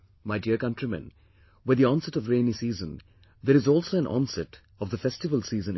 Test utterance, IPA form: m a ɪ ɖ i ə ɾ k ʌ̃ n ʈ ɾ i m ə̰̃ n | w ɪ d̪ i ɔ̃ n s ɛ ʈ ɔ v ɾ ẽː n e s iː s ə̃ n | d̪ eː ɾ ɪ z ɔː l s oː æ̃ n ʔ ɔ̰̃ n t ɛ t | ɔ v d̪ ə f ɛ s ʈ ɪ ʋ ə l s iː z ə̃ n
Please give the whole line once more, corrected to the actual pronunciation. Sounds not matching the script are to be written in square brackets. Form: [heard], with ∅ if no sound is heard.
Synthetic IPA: m a ɪ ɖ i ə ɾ k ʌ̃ n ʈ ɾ i m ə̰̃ n | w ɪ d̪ i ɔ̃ n s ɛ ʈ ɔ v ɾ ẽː n [i] s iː [z] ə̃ n | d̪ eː ɾ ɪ z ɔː l s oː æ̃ n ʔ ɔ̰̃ n [s] ɛ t | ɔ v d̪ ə f ɛ s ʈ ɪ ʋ ə l s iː z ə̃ n